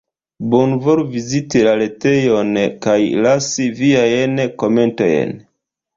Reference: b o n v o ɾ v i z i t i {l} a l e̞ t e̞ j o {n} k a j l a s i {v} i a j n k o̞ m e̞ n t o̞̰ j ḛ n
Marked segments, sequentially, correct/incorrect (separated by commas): correct, correct, correct